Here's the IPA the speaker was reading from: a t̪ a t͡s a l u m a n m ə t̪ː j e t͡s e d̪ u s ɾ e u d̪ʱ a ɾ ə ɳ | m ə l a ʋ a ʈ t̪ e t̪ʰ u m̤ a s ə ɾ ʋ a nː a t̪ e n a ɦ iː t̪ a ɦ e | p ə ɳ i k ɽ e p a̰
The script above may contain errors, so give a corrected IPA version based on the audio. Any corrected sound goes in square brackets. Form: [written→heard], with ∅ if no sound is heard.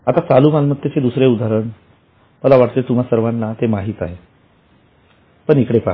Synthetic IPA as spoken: a t̪ a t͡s a l u m a n m ə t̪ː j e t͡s e d̪ u s ɾ e u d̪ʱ a ɾ ə ɳ | m ə l a ʋ a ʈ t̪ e [t̪ʰ→t̪] u m̤ a s ə ɾ ʋ a nː a t̪ e [n→m] a ɦ iː t̪ a ɦ e | p ə ɳ i k ɽ e p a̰

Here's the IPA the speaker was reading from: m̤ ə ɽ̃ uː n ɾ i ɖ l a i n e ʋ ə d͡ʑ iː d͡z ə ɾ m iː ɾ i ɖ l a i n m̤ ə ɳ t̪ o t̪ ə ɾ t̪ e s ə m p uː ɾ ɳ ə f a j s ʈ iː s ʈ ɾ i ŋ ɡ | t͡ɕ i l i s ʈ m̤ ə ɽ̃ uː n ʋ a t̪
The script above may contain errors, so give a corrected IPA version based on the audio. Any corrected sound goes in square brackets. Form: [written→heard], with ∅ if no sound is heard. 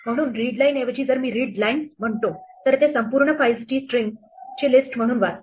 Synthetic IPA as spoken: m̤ ə ɽ̃ uː n ɾ i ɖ l a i n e ʋ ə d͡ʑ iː d͡z ə ɾ m iː ɾ i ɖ l a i n m̤ ə ɳ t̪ o t̪ ə ɾ t̪ e s ə m p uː ɾ ɳ ə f a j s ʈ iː s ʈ ɾ i ŋ ɡ | t͡ɕ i l i s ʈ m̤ ə ɽ̃ uː n ʋ a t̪

